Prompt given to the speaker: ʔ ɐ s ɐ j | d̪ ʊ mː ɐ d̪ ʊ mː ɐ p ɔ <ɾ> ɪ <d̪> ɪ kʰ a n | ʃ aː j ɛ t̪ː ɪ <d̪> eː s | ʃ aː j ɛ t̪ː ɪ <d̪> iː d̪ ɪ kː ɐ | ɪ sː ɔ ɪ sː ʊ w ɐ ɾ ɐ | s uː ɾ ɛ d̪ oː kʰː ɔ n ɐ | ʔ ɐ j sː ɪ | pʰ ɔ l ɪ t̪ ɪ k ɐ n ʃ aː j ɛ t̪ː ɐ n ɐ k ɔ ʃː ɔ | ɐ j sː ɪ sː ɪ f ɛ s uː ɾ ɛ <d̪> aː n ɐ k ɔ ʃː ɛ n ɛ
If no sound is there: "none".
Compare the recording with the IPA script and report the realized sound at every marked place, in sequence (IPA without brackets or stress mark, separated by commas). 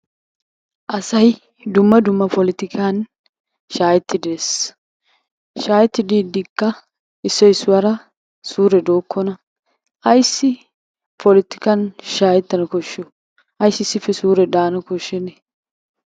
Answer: l, t̪, d̪, d̪, d̪